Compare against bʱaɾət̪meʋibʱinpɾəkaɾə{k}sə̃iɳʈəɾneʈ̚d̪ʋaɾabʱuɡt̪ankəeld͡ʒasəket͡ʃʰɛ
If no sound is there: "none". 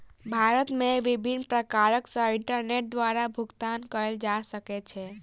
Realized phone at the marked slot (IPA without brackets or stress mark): k